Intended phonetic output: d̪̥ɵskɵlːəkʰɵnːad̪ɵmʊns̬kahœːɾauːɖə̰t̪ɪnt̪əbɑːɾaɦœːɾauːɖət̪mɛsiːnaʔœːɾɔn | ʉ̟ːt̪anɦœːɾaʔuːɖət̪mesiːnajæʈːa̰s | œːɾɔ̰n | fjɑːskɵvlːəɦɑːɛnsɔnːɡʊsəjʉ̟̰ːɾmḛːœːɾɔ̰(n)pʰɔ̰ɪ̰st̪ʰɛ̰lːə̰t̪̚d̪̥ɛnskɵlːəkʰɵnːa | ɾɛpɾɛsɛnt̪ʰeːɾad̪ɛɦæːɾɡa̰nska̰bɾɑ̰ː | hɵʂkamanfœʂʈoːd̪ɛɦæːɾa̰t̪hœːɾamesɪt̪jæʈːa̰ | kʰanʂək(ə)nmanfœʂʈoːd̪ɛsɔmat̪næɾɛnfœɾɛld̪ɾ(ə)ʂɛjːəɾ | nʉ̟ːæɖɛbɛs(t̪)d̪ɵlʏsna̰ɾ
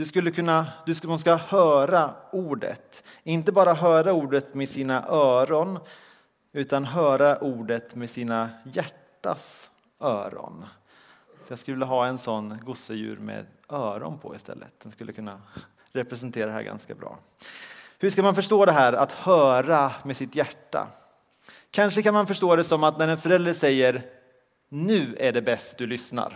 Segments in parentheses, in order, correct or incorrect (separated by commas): correct, incorrect, correct, correct